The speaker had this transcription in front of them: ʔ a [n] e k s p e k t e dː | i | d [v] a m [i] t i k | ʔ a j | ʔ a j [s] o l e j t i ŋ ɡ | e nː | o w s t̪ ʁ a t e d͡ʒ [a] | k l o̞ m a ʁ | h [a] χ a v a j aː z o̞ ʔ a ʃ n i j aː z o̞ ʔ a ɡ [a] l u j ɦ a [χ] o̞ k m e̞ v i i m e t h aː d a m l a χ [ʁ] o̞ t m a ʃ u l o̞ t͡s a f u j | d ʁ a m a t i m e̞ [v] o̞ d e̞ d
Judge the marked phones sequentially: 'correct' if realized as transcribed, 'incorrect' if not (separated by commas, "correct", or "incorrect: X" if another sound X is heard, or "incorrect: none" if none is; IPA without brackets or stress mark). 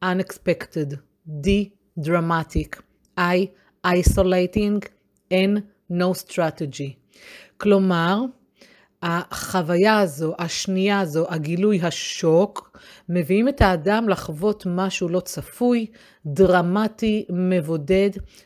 correct, incorrect: ʁ, incorrect: a, correct, incorrect: i, correct, incorrect: i, incorrect: ʃ, incorrect: v, correct